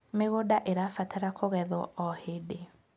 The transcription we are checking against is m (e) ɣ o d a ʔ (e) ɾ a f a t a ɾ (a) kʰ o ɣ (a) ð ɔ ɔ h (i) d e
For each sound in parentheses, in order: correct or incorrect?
correct, correct, correct, incorrect, incorrect

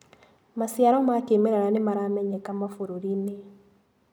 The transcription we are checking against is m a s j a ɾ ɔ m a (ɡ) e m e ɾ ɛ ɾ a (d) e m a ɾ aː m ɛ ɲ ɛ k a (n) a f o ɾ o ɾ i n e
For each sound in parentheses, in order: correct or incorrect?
incorrect, incorrect, incorrect

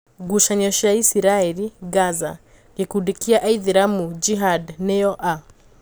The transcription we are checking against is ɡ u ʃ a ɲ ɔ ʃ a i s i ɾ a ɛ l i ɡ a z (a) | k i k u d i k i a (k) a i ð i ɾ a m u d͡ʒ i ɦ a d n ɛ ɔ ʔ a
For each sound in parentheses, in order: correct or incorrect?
correct, incorrect

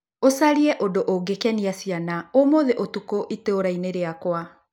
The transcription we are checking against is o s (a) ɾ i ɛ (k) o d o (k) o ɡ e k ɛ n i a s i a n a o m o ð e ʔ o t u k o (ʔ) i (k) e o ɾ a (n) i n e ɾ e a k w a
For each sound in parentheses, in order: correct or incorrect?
correct, incorrect, incorrect, correct, incorrect, incorrect

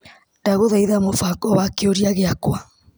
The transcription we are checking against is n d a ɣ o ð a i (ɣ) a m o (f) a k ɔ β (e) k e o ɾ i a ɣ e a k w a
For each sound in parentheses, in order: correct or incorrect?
incorrect, correct, incorrect

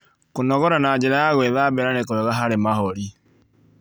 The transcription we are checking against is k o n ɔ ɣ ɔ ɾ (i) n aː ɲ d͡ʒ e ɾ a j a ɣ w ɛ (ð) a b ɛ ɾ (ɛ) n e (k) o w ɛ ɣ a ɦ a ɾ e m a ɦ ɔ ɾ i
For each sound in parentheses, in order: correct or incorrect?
incorrect, correct, incorrect, correct

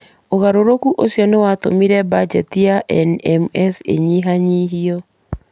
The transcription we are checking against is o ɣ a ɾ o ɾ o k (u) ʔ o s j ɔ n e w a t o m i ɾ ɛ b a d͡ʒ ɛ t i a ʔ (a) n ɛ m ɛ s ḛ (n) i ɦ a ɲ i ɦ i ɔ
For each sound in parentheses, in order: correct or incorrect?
correct, incorrect, incorrect

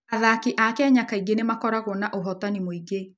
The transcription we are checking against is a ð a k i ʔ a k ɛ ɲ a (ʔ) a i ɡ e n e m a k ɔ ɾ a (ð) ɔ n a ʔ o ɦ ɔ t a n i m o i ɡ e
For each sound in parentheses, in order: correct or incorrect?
incorrect, incorrect

